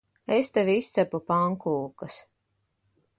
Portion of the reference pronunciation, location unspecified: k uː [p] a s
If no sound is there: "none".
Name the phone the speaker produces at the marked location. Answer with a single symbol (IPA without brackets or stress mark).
k